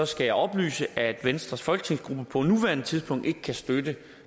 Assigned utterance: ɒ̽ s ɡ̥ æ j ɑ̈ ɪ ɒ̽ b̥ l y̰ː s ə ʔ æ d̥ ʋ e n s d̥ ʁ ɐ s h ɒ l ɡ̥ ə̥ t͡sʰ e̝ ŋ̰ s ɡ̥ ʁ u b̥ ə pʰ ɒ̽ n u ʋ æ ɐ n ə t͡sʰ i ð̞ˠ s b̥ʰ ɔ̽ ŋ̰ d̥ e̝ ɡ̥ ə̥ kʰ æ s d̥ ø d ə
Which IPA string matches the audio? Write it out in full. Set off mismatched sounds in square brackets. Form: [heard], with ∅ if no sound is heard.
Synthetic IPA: ɒ̽ s ɡ̥ æ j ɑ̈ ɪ ɒ̽ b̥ l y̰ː s ə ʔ æ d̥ ʋ e n s d̥ ʁ ɐ s [f] ɒ l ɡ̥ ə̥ t͡sʰ e̝ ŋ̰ s ɡ̥ ʁ u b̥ ə pʰ ɒ̽ n u ʋ æ ɐ n ə t͡sʰ i ð̞ˠ s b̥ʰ ɔ̽ ŋ̰ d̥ e̝ ɡ̥ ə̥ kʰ æ s d̥ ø d ə